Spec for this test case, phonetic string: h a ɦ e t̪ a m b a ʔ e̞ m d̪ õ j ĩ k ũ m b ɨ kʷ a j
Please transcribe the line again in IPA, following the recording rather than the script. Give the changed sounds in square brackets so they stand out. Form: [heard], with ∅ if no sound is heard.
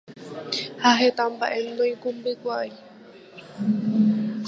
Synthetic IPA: h a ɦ e t̪ a m b a ʔ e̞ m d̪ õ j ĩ k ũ m b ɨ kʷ a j